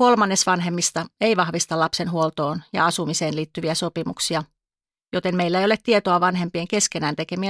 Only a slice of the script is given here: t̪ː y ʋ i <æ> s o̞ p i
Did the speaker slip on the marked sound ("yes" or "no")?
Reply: no